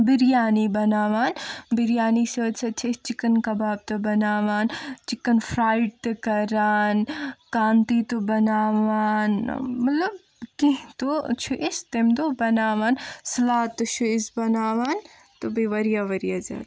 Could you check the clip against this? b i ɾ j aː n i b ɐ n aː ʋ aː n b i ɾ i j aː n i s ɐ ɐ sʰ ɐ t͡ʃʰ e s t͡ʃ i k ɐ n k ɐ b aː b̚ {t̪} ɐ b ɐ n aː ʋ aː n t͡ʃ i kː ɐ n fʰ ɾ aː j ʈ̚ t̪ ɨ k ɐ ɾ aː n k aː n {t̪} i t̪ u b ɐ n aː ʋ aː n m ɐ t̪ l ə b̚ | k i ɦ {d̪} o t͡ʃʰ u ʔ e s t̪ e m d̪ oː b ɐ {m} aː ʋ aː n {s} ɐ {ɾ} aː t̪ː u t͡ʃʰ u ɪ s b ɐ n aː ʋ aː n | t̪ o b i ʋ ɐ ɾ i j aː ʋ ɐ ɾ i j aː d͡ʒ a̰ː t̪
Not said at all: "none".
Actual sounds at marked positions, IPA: t̪, t̪, t̪, n, s, l

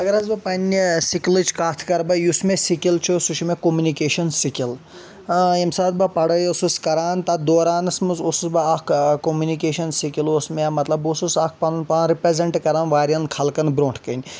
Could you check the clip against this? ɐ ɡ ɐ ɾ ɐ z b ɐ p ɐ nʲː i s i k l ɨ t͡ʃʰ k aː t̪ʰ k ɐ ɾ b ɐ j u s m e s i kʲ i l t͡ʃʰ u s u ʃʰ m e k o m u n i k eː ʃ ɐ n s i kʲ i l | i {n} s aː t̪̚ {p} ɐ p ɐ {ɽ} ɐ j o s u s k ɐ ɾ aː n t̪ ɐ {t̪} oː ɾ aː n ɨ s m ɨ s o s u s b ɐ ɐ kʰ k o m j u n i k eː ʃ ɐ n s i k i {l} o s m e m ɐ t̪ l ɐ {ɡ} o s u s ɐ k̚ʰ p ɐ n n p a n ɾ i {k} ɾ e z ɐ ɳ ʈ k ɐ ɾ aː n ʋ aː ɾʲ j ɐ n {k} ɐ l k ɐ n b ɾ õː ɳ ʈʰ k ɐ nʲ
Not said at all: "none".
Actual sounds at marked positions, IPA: m, b, ɽ, d̪, l, b, p, kʰ

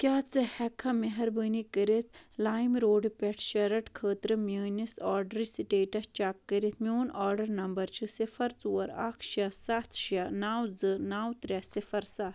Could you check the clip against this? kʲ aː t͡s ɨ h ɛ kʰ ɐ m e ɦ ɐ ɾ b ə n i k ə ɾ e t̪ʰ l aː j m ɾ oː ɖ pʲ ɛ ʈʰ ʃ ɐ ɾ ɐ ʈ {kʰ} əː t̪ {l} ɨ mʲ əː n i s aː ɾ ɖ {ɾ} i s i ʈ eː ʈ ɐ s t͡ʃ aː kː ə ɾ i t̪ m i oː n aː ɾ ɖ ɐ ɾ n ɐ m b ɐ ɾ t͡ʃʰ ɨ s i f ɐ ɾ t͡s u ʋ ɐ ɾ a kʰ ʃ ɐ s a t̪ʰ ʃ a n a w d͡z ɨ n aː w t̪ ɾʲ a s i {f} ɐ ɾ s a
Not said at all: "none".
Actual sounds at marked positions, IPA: kʰ, ɾ, ɾ, f

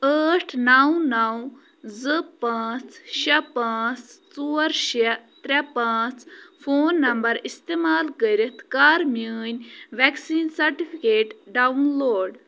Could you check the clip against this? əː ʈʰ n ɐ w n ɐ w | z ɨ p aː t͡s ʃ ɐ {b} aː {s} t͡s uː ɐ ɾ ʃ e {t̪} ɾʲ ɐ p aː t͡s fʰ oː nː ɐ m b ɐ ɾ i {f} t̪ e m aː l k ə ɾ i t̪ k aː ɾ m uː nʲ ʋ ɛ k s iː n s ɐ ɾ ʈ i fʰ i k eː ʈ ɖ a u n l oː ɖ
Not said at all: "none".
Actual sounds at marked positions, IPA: p, t͡s, t̪, s

